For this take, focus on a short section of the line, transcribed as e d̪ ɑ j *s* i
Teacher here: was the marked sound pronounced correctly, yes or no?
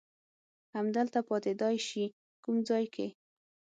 no